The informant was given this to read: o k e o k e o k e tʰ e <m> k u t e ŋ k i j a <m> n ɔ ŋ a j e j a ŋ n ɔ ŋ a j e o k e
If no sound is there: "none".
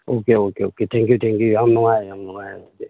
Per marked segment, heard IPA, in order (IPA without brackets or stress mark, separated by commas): ŋ, ŋ